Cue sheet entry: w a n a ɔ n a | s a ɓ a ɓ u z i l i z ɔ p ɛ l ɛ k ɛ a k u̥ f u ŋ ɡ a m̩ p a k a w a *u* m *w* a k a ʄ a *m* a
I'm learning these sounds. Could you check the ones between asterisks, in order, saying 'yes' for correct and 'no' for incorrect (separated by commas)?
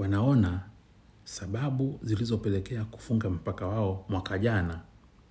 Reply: no, yes, no